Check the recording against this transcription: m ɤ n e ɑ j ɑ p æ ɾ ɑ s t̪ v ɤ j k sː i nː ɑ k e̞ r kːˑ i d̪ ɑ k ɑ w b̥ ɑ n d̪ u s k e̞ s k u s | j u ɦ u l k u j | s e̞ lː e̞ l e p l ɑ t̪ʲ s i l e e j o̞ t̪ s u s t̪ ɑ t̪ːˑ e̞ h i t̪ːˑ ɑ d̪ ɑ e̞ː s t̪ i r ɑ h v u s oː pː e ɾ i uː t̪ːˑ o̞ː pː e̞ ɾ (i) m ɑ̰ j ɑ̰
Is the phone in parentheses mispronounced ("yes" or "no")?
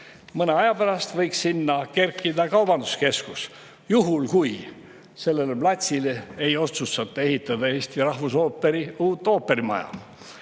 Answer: no